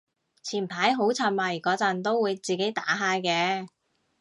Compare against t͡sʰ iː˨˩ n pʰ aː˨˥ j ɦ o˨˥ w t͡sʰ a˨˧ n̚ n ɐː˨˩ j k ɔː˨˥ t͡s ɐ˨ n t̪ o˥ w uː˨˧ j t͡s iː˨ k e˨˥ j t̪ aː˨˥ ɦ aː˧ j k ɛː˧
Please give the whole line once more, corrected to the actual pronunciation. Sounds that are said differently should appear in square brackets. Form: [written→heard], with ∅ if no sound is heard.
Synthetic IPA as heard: t͡sʰ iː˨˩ n pʰ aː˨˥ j ɦ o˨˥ w t͡sʰ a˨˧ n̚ [n→m] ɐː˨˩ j k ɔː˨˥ t͡s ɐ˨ n t̪ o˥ w uː˨˧ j t͡s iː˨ k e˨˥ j t̪ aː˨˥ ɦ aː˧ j k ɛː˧